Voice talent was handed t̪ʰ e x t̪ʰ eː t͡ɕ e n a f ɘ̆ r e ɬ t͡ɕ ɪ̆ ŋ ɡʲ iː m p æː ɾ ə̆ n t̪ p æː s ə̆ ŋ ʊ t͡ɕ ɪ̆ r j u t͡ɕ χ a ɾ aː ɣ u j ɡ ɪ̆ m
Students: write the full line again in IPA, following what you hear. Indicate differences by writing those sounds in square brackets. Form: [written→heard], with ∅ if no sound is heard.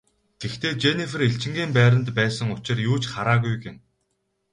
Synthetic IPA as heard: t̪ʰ e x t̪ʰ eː t͡ɕ e n [a→i] f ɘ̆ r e ɬ t͡ɕ ɪ̆ ŋ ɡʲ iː m p æː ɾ ə̆ n t̪ p æː s ə̆ ŋ ʊ t͡ɕ ɪ̆ r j [u→uː] t͡ɕ χ a ɾ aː ɣ u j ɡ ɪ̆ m